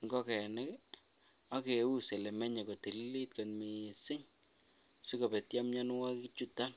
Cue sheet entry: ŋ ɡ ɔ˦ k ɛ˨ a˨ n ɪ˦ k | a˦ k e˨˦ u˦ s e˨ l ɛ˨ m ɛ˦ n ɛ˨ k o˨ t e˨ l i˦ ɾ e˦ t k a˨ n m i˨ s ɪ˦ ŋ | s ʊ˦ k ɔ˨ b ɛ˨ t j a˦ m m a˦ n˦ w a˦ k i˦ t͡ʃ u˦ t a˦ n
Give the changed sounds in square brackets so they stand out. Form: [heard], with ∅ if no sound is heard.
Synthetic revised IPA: ŋ ɡ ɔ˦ k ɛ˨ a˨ n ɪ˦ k | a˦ k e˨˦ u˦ s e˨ l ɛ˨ m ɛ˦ [ɲ] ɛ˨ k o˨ t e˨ l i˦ [l] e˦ t k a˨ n m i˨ s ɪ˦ ŋ | s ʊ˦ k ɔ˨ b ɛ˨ t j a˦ m [ɲ] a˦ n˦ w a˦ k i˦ t͡ʃ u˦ t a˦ n